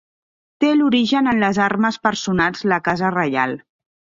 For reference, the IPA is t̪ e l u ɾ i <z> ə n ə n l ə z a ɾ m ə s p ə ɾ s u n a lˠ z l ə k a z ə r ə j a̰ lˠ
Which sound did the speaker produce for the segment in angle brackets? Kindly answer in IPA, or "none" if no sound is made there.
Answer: ʒ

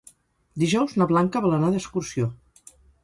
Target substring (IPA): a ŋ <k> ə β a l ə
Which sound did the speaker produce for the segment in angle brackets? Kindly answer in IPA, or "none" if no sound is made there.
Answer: k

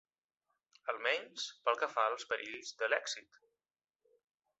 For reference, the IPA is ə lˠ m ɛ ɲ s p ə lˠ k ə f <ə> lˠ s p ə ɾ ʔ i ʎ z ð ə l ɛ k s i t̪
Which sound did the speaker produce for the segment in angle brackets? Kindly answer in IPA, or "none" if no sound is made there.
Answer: a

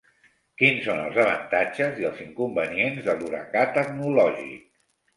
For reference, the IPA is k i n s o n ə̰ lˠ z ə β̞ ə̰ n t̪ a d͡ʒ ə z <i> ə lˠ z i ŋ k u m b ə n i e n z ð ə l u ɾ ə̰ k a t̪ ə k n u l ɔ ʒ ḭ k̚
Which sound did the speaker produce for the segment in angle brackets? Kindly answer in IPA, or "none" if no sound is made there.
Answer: i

